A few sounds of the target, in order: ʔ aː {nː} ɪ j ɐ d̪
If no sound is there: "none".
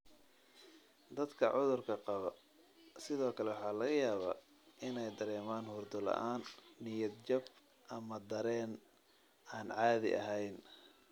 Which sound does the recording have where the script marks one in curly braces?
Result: nː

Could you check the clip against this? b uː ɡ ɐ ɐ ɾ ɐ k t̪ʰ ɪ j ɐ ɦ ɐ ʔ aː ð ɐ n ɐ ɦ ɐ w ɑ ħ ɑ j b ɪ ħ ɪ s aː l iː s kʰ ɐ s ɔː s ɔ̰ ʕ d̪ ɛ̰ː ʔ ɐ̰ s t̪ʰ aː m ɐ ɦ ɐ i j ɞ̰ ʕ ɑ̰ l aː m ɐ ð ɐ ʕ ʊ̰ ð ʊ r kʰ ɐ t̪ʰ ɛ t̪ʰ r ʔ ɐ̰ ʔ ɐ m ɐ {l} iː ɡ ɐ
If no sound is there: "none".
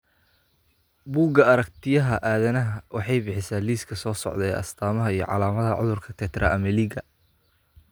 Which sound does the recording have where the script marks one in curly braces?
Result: l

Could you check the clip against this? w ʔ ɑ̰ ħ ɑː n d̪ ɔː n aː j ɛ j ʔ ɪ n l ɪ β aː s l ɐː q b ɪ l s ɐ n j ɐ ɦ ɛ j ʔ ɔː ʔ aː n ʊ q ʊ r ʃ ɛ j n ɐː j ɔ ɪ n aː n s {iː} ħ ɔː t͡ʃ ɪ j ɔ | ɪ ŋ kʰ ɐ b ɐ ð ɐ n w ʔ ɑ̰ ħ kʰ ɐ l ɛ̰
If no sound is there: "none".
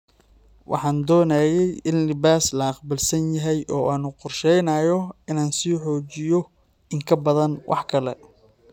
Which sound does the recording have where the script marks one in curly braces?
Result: iː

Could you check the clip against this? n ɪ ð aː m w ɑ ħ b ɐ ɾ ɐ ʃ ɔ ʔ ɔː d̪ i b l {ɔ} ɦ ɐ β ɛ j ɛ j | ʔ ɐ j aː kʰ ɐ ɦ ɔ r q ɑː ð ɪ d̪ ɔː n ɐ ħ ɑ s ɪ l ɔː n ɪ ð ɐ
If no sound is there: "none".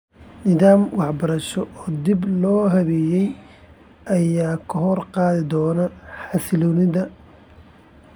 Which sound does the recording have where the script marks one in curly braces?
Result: ɔː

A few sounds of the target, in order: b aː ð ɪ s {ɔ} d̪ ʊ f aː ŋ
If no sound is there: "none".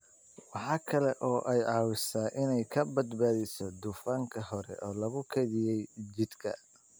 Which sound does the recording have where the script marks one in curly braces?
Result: ɔ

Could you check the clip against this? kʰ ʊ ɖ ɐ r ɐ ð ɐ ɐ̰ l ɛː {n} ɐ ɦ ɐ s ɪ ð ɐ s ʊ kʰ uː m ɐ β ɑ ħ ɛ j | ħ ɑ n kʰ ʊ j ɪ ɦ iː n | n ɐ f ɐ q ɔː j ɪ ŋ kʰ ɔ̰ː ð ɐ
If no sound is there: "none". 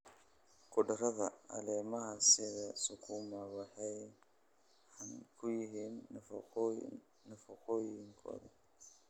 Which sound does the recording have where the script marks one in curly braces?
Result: m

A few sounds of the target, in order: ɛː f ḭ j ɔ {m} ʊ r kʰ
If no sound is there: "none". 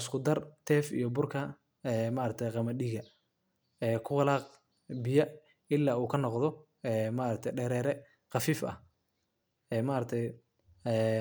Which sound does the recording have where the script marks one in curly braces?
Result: b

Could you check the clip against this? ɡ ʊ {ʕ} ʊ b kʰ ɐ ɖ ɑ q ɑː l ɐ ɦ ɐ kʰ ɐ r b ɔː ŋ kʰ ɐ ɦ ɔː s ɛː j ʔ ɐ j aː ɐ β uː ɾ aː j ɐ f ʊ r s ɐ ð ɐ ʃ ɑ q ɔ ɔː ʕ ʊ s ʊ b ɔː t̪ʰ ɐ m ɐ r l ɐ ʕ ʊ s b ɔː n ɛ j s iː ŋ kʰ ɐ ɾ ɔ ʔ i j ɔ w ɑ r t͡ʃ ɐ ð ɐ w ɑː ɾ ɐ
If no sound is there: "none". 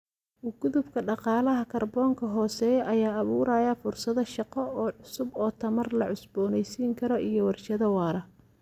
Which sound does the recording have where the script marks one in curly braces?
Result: ð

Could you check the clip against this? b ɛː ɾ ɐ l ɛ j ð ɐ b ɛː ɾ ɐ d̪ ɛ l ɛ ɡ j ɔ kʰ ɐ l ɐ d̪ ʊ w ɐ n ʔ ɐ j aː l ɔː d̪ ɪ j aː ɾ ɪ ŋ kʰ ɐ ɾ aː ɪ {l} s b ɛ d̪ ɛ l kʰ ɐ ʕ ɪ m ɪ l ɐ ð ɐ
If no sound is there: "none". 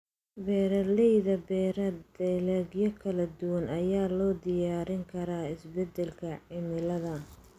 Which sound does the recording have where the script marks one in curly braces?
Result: none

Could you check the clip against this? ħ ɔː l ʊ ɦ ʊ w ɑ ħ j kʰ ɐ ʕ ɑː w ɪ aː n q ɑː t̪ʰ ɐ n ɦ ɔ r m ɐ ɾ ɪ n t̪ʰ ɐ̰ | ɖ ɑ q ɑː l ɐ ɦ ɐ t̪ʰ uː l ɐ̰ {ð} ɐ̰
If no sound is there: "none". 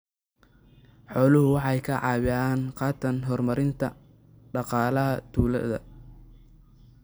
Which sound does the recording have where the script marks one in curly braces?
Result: ð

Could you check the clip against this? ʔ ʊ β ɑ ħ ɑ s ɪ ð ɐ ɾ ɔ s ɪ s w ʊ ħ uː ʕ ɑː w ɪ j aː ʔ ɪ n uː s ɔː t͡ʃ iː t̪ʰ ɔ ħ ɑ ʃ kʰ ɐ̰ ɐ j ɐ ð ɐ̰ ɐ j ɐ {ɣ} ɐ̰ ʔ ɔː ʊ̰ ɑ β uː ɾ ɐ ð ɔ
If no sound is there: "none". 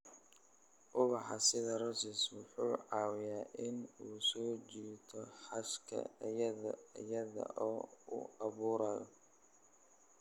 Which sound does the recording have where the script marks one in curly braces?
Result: ð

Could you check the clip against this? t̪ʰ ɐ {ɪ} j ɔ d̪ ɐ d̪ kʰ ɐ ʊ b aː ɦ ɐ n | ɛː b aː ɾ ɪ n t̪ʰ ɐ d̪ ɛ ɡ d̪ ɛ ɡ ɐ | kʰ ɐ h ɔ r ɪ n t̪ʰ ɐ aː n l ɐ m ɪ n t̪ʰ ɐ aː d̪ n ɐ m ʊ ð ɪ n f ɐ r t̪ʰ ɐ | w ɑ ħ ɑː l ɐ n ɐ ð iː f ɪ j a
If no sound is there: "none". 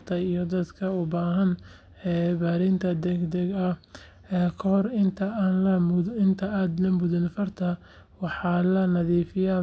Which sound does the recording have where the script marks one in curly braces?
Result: i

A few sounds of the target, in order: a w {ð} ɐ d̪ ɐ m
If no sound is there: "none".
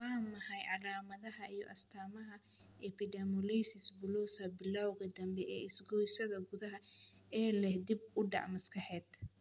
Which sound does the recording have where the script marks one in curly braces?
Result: ɣ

